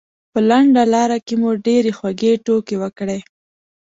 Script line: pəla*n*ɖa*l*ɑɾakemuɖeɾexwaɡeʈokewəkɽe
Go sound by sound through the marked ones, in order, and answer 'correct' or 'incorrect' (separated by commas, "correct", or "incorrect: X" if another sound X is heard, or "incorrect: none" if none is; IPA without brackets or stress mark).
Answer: incorrect: ɳ, correct